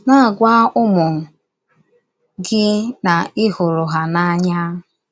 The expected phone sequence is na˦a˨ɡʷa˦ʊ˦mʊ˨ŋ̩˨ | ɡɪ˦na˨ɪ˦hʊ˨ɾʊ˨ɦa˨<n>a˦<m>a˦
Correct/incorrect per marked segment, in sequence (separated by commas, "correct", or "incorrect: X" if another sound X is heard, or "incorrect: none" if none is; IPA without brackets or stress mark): correct, incorrect: ɲ